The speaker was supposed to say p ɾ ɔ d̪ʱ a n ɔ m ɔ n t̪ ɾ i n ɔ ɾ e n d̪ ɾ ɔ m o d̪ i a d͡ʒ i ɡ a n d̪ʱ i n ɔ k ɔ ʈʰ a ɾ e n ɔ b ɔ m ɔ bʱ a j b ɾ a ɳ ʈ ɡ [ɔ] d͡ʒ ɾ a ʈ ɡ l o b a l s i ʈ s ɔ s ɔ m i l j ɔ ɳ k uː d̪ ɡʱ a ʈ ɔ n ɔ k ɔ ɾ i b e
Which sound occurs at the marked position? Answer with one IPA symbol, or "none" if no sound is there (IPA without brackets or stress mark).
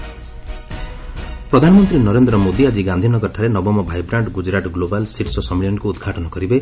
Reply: u